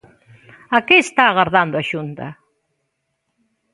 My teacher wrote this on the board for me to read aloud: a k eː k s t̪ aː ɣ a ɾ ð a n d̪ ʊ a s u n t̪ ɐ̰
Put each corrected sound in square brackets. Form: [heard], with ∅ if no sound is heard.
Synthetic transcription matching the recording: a k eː [∅] s t̪ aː ɣ a ɾ ð a n d̪ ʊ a [ʃ] u n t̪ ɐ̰